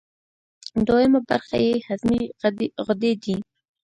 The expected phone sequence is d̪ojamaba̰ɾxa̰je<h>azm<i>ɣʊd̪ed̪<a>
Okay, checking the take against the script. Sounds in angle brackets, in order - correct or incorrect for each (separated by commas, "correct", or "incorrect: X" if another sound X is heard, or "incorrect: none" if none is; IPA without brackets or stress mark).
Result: correct, correct, incorrect: i